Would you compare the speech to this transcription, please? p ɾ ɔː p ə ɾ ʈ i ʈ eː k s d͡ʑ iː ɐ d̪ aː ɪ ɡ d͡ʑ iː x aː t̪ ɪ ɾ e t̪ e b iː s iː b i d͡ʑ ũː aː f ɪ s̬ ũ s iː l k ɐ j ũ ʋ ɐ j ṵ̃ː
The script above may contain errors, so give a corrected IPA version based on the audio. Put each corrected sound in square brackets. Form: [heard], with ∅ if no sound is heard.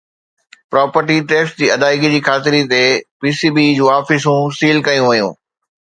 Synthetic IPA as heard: p ɾ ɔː p ə ɾ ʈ i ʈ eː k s d͡ʑ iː ɐ d̪ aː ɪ ɡ d͡ʑ iː x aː t̪ ɪ ɾ [i] t̪ e [p] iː s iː b i d͡ʑ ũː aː f ɪ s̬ ũ s iː l k ɐ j ũ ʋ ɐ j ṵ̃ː